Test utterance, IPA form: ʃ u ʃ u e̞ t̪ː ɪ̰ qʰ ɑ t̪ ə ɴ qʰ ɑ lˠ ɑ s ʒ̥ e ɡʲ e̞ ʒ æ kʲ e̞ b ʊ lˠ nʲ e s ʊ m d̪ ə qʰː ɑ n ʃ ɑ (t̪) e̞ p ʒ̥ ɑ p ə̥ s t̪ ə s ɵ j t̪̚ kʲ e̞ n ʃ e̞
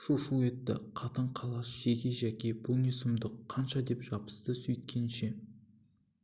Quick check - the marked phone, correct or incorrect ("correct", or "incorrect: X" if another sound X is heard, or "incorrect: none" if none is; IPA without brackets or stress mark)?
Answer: incorrect: d̪